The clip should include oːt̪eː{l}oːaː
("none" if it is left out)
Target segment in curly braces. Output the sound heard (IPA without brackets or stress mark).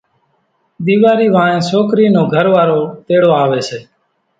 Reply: ɽ